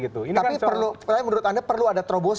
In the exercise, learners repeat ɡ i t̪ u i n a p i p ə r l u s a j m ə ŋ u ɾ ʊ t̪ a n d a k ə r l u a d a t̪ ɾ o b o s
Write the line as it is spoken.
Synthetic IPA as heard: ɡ i t̪ u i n a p i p ə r l u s a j m ə n u ɾ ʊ t̪ a n d a p ə r l u a d a t̪ ɾ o b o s